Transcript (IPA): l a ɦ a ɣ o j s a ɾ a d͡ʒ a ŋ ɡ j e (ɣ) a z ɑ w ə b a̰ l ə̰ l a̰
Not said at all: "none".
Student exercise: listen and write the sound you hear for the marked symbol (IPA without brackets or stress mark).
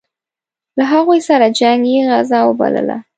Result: ɣ